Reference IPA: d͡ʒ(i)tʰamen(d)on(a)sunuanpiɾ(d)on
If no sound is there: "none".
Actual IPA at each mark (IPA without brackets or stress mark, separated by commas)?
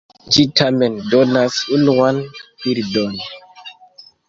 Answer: i, d, a, d